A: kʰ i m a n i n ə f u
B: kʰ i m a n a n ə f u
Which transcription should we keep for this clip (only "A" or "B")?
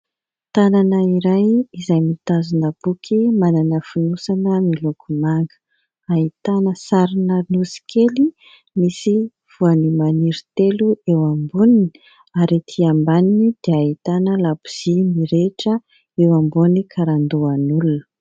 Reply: B